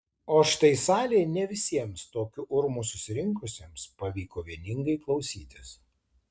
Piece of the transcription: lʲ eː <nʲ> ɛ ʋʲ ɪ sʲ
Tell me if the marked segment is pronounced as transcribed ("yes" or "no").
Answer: yes